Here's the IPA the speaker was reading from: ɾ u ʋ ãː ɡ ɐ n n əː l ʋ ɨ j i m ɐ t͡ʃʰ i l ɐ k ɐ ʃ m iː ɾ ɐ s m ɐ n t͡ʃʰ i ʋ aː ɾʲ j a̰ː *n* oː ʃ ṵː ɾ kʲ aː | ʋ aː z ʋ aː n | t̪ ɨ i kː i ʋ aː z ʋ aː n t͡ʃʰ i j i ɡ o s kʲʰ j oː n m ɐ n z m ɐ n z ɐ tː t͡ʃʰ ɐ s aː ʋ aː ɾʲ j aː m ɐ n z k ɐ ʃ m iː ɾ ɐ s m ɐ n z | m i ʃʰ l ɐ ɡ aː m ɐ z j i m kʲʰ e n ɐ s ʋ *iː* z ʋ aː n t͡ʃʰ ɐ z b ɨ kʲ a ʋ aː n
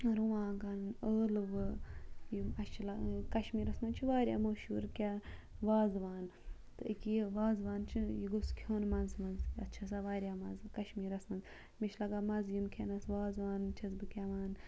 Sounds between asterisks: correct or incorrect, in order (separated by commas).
incorrect, incorrect